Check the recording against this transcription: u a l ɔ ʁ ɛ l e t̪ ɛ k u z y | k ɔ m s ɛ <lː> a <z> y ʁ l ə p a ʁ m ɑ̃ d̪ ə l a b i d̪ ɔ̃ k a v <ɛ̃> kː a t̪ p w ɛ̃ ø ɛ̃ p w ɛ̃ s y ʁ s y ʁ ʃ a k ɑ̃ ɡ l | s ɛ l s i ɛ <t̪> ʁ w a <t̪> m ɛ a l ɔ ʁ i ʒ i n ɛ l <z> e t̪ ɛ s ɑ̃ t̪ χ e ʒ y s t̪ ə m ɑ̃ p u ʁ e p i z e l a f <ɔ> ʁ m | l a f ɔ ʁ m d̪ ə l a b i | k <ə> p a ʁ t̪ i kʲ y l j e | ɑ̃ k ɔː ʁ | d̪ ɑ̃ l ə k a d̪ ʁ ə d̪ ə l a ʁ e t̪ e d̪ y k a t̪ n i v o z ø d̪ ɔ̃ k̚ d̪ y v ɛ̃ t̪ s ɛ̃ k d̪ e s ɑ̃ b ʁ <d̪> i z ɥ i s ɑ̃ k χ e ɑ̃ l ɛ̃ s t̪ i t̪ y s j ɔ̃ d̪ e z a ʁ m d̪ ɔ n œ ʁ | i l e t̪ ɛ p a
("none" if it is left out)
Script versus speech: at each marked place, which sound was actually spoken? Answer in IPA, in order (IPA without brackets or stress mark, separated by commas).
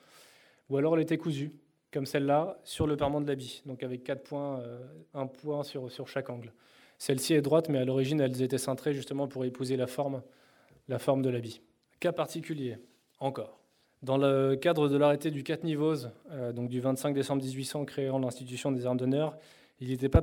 lː, s, ɛ, d̪, t̪, z, ɔ, a, d̪